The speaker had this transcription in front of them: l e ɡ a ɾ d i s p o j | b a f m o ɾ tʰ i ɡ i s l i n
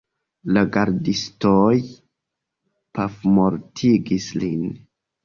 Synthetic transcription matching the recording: l a ɡ a ɾ d i s t o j | p a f m o ɾ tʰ i ɡ i s l i n